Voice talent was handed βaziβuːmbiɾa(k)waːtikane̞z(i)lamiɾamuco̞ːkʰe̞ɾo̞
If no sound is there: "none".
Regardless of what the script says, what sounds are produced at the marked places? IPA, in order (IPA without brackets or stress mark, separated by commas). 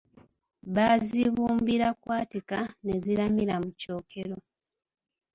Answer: k, i